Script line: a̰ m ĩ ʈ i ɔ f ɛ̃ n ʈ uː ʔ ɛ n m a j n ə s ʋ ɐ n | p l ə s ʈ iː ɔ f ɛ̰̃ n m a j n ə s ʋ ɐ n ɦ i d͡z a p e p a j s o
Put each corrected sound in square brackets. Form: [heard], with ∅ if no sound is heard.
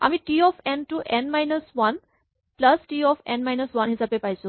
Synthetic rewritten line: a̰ m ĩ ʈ i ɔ f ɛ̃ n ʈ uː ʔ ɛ n m a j n ə s ʋ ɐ n | p l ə s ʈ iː ɔ f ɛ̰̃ n m a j n ə s ʋ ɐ n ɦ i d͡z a p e p a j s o

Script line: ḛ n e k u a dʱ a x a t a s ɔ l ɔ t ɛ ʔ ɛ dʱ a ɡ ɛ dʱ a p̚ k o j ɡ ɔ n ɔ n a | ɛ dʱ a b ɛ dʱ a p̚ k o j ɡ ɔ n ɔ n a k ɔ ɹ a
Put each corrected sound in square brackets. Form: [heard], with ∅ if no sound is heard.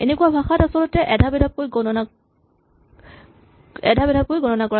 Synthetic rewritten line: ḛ n e k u a [bʱ] a x a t a s ɔ l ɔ t ɛ ʔ ɛ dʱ a [b] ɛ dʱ a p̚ k o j ɡ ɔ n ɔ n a | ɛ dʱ a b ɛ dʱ a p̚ k o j ɡ ɔ n ɔ n a k ɔ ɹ a

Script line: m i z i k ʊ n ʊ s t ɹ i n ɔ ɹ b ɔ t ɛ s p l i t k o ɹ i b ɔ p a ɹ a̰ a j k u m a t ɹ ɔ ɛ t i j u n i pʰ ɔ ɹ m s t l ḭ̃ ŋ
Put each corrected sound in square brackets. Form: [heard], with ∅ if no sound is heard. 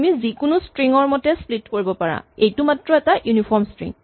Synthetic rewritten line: m i z i k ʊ n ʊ s t ɹ i [ŋ] ɔ ɹ [m] ɔ t ɛ s p l i t k o ɹ i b ɔ p a ɹ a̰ [e] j [t] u m a t ɹ ɔ ɛ t [a] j u n i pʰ ɔ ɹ m s t [ɹ] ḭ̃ ŋ

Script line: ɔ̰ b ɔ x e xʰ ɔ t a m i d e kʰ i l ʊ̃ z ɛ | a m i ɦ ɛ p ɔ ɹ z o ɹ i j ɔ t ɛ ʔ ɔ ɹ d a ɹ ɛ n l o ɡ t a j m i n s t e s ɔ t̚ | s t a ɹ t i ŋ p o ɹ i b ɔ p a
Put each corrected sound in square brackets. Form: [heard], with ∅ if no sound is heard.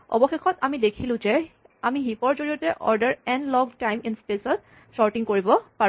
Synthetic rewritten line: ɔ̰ b ɔ x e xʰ ɔ t a m i d e kʰ i l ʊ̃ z ɛ | a m i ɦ [i] p ɔ ɹ z o ɹ i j ɔ t ɛ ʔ ɔ ɹ d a ɹ ɛ n l [ɔ] ɡ t a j m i n s [p] e s ɔ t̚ | s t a ɹ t i ŋ [k] o ɹ i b ɔ p a

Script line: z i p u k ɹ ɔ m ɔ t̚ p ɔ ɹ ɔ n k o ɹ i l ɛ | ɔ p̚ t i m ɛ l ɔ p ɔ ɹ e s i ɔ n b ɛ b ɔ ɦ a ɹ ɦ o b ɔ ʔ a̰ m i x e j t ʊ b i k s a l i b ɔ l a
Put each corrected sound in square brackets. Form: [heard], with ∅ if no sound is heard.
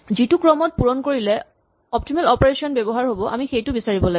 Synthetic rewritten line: z i [t] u k ɹ ɔ m ɔ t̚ p [u] ɹ ɔ n k o ɹ i l ɛ | ɔ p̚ t i m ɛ l ɔ p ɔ ɹ e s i ɔ n b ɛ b ɔ ɦ a ɹ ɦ o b ɔ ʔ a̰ m i x e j t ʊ b i [∅] s a [ɹ] i b ɔ l a

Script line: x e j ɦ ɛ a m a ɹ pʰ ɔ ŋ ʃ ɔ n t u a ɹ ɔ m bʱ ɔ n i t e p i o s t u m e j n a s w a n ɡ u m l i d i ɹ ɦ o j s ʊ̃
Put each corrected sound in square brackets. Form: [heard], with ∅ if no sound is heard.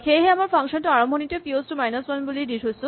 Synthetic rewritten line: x e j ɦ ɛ a m a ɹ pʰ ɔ ŋ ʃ ɔ n t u a ɹ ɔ m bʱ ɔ n i t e p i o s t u m [a] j n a s w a n [b] u [∅] l i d i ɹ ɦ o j s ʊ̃

